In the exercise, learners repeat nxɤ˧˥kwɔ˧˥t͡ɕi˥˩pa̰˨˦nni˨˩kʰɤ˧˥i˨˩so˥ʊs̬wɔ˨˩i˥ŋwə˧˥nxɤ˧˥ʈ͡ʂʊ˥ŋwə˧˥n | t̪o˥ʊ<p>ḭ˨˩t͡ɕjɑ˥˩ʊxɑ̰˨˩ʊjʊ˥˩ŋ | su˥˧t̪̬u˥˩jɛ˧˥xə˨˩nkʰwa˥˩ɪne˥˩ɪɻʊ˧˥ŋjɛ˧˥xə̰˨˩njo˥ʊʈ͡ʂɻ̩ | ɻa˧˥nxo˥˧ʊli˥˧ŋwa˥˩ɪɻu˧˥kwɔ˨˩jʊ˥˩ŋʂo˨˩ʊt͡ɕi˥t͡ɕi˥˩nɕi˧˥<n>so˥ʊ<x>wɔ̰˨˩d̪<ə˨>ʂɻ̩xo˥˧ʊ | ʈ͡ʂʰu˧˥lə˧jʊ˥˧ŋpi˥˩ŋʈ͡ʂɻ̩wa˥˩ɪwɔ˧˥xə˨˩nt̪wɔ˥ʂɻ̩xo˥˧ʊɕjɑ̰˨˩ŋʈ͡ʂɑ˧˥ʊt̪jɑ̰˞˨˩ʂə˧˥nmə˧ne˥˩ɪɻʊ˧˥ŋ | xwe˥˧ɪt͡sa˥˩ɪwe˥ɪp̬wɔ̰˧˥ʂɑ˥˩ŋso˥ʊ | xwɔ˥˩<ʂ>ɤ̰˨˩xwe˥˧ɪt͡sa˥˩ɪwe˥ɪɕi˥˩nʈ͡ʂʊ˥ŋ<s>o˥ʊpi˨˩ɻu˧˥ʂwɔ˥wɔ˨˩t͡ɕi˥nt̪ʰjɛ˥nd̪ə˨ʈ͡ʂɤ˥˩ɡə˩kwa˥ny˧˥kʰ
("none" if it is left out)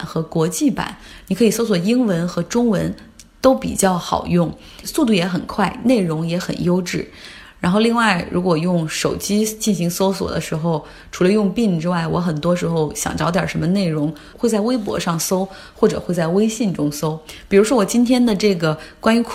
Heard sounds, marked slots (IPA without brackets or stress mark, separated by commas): p, ŋ, s, ə˦, ʈ͡ʂ, s